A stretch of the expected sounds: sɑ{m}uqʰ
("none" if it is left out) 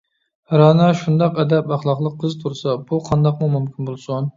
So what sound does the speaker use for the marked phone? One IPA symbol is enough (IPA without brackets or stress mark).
b